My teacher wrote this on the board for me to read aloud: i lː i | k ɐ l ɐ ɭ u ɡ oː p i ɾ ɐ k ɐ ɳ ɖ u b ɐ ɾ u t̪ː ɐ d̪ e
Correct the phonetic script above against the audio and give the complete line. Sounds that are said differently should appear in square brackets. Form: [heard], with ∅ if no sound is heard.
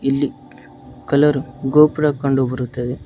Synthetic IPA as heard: i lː i | k ɐ l ɐ [ɾ] u ɡ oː p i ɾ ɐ k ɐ ɳ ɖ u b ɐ ɾ u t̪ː ɐ d̪ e